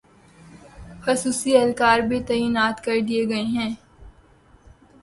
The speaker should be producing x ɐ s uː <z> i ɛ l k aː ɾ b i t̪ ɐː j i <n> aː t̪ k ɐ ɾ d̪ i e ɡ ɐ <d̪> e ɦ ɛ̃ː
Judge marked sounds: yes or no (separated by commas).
no, yes, no